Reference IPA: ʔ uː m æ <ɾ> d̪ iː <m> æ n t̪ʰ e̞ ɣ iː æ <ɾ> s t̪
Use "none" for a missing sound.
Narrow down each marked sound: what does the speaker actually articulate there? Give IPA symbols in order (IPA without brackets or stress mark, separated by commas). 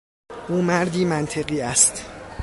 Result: ɾ, m, none